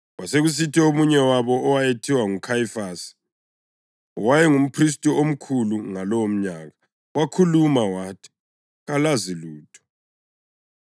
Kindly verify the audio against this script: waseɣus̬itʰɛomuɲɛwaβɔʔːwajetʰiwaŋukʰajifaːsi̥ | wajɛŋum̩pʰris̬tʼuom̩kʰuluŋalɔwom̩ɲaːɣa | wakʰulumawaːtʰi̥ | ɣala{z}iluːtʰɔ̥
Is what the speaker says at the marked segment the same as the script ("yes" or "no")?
yes